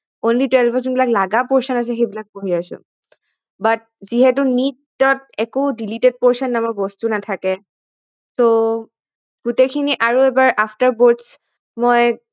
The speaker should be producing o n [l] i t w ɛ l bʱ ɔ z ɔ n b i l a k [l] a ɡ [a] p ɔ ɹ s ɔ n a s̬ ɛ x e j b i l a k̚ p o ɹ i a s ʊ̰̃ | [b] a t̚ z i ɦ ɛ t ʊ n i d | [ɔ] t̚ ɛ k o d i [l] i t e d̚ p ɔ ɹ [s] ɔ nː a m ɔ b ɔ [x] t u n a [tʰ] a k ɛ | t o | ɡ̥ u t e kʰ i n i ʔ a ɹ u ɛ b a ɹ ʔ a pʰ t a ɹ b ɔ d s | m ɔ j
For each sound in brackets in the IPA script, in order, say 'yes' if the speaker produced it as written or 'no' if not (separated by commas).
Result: yes, yes, yes, yes, yes, yes, yes, no, yes